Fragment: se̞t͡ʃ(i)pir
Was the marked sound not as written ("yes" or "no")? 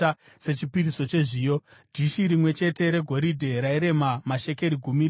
no